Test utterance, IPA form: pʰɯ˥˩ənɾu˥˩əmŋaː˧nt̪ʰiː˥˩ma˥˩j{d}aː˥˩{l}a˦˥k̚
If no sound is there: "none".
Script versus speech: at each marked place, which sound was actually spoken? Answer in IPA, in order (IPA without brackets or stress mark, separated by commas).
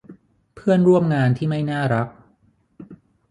n, ɾ